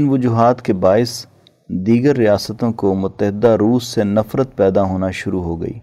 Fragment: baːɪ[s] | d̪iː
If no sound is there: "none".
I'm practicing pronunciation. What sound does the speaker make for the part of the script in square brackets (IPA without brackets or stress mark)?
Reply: s